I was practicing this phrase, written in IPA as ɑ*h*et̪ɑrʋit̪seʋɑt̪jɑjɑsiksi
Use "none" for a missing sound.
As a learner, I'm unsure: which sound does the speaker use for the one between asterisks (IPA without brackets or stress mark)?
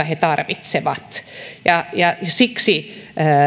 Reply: h